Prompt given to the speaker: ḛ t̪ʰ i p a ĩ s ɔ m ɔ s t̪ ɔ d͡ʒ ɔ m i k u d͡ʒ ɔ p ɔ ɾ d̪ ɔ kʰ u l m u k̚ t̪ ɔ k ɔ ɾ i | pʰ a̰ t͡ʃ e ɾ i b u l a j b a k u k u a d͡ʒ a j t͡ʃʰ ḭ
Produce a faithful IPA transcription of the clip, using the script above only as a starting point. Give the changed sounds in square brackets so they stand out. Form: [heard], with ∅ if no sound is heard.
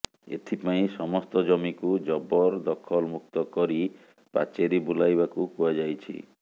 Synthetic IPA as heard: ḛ t̪ʰ i p a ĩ s ɔ m ɔ s t̪ ɔ d͡ʒ ɔ m i k u d͡ʒ ɔ [b] ɔ ɾ d̪ ɔ kʰ [ɔ] l m u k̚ t̪ ɔ k ɔ ɾ i | [p] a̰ t͡ʃ e ɾ i b u l a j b a k u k u a d͡ʒ a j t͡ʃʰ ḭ